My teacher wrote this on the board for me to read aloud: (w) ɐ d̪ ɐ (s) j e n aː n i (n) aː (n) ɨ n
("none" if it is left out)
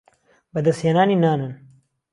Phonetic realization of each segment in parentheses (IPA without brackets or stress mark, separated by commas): b, s, n, n